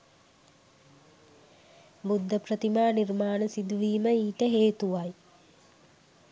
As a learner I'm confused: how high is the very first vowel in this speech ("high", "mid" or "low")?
high